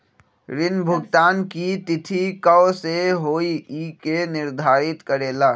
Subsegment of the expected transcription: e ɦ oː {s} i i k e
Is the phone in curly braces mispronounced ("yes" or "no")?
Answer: yes